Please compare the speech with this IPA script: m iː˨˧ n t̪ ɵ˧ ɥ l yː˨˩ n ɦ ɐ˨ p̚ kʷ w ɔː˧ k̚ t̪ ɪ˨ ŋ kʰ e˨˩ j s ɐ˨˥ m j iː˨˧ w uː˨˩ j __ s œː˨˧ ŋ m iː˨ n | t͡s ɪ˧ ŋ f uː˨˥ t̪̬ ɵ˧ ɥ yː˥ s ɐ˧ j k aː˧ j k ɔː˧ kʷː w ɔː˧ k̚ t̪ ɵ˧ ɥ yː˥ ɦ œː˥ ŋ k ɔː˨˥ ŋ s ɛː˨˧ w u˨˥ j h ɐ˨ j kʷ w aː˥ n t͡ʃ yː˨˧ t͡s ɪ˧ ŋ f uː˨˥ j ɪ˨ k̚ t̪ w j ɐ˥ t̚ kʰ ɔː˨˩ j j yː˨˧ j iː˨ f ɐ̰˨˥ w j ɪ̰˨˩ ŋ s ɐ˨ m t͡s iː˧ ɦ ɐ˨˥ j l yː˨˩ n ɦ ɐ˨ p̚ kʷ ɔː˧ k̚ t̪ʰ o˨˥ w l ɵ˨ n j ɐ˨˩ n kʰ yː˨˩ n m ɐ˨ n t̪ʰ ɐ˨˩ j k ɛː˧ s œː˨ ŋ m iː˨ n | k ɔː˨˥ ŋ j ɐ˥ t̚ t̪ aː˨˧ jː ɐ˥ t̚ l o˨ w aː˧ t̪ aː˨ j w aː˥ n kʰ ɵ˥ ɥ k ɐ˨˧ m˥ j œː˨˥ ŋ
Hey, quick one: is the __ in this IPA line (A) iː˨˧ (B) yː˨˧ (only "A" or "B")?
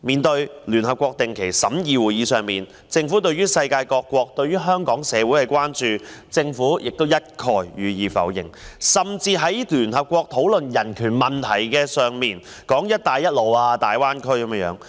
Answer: A